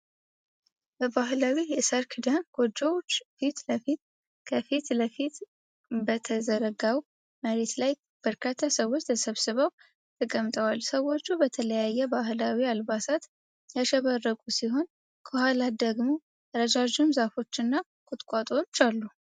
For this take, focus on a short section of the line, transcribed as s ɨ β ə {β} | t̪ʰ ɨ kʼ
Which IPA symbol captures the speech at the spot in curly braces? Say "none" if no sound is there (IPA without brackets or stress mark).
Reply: w